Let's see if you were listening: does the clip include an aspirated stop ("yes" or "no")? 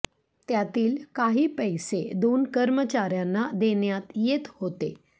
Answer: no